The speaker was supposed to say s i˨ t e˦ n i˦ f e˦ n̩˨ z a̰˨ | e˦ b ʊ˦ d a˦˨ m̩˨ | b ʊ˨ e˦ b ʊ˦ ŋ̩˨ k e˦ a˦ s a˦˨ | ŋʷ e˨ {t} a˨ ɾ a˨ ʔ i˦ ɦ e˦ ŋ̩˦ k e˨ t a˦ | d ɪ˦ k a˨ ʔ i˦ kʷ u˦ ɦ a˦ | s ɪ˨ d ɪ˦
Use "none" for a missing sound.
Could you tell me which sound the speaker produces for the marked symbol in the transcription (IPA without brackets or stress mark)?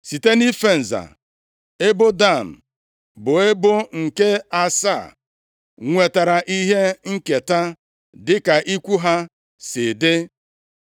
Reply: t